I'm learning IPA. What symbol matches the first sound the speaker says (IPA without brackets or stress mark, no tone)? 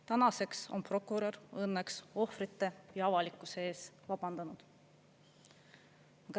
t̪